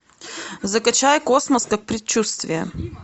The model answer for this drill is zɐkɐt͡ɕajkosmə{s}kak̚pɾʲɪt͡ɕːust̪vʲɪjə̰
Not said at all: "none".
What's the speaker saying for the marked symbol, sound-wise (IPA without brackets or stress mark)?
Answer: s